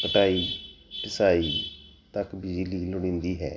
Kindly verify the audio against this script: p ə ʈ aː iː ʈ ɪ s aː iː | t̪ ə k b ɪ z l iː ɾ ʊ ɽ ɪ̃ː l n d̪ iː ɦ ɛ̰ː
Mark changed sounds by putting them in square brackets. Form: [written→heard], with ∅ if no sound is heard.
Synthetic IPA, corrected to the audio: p ə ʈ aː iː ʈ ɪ s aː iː | t̪ ə k b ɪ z l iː [ɾ→l] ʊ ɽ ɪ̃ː [l→∅] n d̪ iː ɦ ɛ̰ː